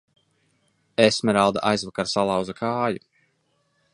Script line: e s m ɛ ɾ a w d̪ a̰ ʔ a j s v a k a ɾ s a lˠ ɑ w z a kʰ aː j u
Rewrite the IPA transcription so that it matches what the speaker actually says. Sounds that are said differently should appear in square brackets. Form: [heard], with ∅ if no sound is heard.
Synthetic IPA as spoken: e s m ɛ ɾ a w d̪ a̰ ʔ a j [z] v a k a ɾ s a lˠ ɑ w z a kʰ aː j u